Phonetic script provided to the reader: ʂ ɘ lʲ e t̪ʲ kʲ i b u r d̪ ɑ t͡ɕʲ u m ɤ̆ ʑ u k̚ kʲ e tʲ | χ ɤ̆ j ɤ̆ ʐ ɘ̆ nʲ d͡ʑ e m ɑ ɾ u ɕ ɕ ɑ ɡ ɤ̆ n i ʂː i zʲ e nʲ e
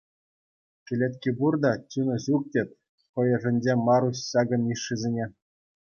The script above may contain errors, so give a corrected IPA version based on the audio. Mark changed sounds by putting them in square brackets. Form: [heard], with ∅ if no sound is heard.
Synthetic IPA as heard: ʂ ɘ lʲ e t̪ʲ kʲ i b u r d̪ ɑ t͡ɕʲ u [n] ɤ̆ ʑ u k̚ [tʲ] e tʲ | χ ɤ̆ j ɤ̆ ʐ ɘ̆ nʲ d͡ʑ e m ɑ ɾ u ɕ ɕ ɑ ɡ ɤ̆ n i ʂː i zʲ e nʲ e